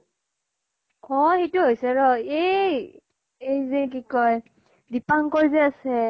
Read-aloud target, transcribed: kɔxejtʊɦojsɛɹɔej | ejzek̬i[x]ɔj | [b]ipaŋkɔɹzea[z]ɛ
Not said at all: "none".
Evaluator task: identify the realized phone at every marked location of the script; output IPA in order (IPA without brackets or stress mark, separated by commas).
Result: k, d, s